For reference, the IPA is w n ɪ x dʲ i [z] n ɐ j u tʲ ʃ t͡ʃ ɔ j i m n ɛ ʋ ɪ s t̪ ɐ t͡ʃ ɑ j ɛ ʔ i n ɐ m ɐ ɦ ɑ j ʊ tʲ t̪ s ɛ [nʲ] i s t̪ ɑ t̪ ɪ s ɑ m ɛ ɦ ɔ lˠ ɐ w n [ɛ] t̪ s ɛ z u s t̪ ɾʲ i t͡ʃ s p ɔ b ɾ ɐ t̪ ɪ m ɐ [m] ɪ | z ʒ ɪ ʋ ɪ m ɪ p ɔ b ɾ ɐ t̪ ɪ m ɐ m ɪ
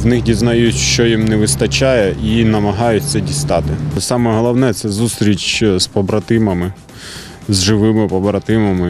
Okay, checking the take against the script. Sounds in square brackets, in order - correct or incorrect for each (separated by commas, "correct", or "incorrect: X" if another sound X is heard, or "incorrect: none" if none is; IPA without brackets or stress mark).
correct, incorrect: dʲ, correct, correct